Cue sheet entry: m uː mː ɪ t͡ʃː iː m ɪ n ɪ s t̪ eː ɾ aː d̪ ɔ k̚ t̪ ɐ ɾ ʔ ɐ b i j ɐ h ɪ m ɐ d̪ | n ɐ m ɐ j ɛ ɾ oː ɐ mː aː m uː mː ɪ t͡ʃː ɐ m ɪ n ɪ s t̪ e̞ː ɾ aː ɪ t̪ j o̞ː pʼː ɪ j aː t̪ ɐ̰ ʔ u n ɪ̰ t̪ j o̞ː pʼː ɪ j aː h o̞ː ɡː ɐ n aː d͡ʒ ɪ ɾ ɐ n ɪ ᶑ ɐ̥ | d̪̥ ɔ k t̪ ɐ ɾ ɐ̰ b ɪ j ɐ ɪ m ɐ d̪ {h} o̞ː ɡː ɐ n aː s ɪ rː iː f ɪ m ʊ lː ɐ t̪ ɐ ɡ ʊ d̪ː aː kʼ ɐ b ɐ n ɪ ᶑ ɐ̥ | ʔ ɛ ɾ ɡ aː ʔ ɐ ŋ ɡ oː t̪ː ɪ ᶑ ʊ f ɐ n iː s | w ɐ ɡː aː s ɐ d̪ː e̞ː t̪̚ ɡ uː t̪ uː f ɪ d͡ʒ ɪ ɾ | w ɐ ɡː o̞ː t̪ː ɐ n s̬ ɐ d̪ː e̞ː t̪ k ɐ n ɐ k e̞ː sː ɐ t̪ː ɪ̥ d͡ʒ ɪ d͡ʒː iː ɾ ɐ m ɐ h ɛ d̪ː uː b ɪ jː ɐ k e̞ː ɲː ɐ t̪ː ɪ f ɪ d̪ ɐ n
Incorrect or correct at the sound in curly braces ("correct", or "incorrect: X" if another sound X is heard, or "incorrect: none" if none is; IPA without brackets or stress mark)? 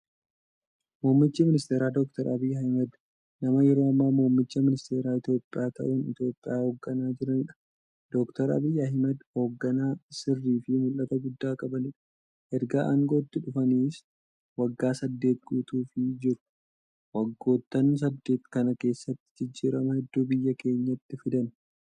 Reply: correct